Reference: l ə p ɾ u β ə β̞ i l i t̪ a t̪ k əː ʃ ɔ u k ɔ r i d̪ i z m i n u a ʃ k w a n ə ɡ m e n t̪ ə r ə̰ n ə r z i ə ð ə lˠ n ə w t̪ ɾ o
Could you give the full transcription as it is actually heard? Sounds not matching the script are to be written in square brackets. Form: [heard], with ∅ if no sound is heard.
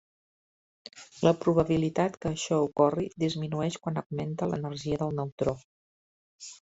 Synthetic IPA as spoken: l ə p ɾ u β ə β̞ i l i t̪ a t̪ k əː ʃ ɔ u k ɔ r i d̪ i z m i n u [ɛ] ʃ k w a n ə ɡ m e n t̪ ə [l] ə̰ n ə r [ʒ] i ə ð ə lˠ n ə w t̪ ɾ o